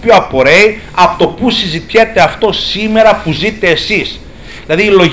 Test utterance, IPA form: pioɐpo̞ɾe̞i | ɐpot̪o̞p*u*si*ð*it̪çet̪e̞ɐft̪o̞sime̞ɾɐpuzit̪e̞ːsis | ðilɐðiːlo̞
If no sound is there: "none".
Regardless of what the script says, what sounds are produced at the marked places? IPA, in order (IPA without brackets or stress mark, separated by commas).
u, z